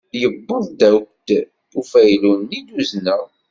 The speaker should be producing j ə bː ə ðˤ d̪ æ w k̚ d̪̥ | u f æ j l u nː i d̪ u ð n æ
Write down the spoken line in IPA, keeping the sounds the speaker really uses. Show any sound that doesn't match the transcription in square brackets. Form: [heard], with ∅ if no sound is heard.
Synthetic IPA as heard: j ə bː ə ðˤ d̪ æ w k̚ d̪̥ | u f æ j l u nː i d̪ u [z] n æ